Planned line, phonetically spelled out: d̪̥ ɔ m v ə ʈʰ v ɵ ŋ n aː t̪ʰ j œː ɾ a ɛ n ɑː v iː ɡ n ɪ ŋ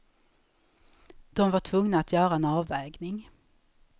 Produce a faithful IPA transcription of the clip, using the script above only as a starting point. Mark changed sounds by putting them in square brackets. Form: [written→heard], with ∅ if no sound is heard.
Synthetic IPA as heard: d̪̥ ɔ m v [ə→a] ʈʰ v ɵ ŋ n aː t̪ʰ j œː ɾ a ɛ n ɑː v [iː→ɛː] ɡ n ɪ ŋ